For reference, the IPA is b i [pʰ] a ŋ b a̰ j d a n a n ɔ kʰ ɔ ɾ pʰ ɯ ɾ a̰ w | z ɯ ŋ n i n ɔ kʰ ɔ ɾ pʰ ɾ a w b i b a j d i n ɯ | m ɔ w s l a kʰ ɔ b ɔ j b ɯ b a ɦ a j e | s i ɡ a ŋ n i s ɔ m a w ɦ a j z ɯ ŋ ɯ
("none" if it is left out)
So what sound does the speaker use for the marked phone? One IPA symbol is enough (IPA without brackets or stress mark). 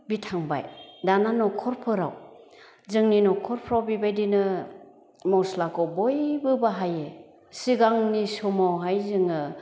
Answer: tʰ